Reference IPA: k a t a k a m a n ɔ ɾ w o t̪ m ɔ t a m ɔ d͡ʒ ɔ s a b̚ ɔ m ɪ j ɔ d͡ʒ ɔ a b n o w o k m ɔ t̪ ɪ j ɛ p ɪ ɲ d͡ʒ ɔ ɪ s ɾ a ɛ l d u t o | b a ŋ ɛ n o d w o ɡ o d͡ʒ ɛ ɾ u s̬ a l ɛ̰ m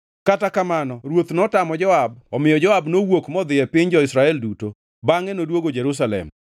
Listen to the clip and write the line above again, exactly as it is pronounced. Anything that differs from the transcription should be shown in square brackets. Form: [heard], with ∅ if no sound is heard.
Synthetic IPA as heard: k a t a k a m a n ɔ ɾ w o t̪ [n] ɔ t a m ɔ d͡ʒ ɔ [∅] a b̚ ɔ m ɪ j ɔ d͡ʒ ɔ a b n o w o k m ɔ [d̪] ɪ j ɛ p ɪ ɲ d͡ʒ ɔ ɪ s ɾ a ɛ l d u t o | b a ŋ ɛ n o d w o ɡ o d͡ʒ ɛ ɾ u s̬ a l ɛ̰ m